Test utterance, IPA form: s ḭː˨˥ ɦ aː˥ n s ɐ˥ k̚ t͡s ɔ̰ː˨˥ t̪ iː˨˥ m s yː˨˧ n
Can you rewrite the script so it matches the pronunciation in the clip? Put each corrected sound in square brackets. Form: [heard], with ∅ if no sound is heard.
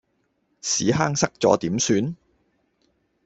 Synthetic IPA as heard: s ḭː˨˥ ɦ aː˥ [ŋ] s ɐ˥ k̚ t͡s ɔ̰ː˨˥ t̪ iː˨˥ m s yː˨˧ n